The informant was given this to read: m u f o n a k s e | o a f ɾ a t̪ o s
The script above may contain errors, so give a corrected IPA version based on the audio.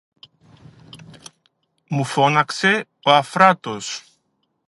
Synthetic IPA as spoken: m u f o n a k s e | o a f ɾ a t̪ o s